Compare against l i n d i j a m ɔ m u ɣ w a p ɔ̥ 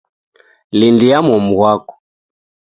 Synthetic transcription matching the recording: l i n d i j a m ɔ m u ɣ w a k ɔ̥